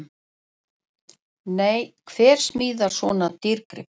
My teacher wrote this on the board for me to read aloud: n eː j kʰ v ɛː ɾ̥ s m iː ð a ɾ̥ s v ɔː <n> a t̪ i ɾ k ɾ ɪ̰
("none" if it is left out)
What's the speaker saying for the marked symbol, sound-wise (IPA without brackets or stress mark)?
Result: n